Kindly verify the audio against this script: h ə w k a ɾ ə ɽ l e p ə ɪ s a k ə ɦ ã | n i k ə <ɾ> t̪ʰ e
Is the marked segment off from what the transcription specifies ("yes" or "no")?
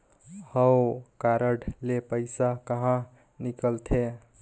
yes